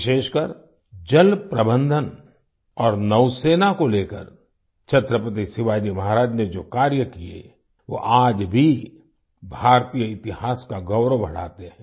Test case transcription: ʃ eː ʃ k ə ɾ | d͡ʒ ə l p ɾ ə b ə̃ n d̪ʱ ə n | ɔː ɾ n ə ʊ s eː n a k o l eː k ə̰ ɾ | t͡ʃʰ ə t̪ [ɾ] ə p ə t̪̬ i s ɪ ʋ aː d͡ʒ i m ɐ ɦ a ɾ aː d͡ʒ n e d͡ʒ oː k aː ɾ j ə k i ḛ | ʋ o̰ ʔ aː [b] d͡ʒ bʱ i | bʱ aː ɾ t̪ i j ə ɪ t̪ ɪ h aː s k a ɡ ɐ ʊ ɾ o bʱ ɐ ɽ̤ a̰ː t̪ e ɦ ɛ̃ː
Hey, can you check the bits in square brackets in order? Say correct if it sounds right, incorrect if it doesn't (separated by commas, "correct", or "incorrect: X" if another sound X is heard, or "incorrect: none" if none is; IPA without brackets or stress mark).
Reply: correct, incorrect: none